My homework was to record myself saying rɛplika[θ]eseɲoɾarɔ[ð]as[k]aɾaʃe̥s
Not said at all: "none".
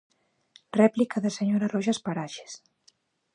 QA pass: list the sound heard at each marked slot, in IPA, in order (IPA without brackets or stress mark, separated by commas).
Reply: ð, ʒ, p